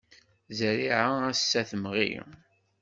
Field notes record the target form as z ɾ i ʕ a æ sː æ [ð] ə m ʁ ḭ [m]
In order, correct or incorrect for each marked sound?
incorrect, incorrect

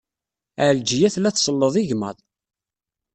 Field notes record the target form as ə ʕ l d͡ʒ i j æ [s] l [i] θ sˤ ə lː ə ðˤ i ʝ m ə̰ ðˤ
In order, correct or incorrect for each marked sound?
incorrect, incorrect

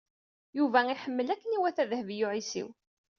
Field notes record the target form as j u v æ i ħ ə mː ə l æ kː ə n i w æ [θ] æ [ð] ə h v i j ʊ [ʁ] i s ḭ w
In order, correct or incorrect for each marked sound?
correct, correct, incorrect

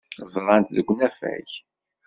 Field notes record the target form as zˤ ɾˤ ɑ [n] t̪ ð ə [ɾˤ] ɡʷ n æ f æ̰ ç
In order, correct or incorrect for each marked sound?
correct, incorrect

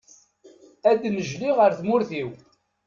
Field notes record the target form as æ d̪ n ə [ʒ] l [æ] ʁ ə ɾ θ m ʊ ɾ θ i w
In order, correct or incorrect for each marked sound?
correct, incorrect

